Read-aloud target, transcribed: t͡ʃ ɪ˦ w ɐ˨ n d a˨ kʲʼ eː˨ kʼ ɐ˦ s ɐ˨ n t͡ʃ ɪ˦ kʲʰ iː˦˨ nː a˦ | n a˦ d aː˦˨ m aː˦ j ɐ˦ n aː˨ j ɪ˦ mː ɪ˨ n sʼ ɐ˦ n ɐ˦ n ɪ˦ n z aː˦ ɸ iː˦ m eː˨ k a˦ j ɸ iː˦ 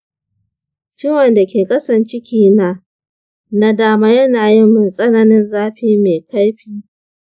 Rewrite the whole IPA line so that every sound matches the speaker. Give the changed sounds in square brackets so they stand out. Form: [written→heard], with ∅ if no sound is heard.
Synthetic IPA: t͡ʃ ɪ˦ w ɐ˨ n d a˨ [kʲʼ→kʲ] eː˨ kʼ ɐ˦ s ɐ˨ n t͡ʃ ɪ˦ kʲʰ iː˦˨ [nː→n] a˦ | n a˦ d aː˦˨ m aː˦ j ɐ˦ n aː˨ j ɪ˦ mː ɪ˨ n sʼ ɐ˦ n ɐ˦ n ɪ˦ n z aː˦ ɸ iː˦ m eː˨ k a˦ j ɸ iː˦